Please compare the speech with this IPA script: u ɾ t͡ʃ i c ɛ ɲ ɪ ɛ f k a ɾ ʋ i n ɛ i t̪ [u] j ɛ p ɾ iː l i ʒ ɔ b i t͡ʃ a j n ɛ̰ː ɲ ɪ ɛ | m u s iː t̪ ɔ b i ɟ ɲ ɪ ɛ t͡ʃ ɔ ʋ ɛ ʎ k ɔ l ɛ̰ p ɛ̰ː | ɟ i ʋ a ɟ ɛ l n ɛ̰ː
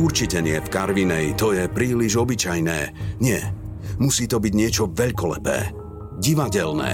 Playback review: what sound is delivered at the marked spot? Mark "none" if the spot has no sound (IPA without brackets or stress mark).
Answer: ɔ